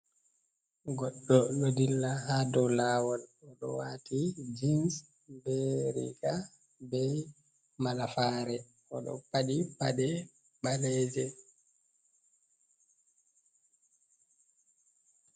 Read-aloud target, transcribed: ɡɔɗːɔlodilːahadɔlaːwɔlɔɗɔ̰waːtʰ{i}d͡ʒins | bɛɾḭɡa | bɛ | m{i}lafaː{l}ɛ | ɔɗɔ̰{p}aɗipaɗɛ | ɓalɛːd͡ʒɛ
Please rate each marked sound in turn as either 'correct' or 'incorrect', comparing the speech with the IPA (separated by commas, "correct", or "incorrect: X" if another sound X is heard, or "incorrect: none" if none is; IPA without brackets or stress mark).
correct, incorrect: a, incorrect: ɾ, correct